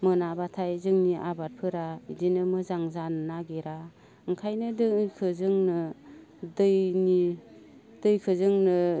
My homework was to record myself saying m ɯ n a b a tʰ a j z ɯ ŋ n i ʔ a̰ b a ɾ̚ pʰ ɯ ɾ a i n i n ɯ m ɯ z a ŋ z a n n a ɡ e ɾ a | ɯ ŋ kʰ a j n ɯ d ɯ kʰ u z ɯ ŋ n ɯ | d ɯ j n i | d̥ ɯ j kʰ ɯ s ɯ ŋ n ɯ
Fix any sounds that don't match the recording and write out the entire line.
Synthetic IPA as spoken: m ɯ n a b a tʰ a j z ɯ ŋ n i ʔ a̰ b a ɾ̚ pʰ ɯ ɾ a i d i n ɯ m ɯ z a ŋ z a n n a ɡ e ɾ a | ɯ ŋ kʰ a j n ɯ d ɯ kʰ ɯ z ɯ ŋ n ɯ | d ɯ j n i | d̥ ɯ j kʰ ɯ z ɯ ŋ n ɯ